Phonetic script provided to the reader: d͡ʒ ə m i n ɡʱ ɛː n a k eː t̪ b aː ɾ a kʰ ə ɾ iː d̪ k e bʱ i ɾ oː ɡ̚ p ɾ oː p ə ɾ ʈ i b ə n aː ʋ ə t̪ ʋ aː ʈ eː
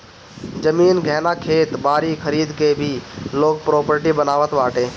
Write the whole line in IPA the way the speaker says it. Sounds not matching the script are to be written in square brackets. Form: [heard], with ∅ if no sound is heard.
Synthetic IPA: d͡ʒ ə m [iː] n ɡʱ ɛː n a [kʰ] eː t̪ b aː ɾ [i] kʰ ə ɾ iː d̪ k e bʱ i [l] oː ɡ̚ p ɾ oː p ə ɾ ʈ i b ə n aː ʋ ə t̪ ʋ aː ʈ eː